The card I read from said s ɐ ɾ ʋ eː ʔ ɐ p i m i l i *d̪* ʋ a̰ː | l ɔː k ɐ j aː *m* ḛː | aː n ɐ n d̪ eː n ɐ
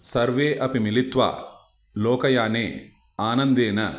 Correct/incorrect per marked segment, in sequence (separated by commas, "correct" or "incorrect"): incorrect, incorrect